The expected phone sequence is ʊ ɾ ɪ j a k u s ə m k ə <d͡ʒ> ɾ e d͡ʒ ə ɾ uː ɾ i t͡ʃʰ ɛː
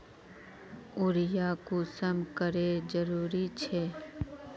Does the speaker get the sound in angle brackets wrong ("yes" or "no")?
yes